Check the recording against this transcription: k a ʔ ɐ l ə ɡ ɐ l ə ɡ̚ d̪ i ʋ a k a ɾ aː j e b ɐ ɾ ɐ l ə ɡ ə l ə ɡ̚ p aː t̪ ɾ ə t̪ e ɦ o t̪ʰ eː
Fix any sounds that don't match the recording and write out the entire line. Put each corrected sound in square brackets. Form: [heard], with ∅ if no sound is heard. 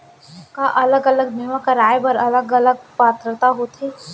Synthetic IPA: k a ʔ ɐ l ə ɡ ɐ l ə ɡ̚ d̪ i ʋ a k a ɾ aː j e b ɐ ɾ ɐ l ə ɡ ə l ə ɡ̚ p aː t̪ ɾ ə t̪ [a] ɦ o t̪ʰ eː